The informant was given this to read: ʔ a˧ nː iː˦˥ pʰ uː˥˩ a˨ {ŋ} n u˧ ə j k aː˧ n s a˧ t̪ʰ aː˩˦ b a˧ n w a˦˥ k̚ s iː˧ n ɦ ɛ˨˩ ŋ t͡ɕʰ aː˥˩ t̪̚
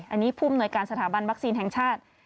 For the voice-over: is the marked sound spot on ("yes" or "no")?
no